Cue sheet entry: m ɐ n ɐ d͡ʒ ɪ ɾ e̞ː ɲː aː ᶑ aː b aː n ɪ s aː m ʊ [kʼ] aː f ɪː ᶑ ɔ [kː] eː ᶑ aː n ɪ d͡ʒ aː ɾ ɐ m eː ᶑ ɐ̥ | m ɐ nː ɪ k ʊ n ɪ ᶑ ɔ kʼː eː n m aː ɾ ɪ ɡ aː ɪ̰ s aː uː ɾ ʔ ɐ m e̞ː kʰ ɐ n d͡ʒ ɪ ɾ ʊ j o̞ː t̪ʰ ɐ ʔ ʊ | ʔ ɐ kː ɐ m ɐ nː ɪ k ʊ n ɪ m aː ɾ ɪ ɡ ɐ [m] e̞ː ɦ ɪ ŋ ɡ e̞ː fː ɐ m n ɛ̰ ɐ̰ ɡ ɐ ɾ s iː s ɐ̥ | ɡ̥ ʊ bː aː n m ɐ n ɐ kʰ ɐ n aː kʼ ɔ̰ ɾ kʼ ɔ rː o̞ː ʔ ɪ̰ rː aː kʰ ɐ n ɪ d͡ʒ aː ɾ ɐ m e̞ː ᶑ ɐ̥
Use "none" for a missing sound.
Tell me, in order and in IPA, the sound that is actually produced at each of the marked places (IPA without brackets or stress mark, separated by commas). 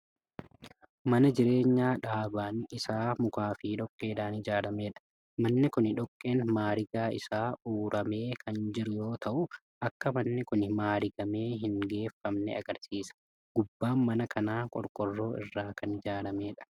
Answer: k, kʼː, m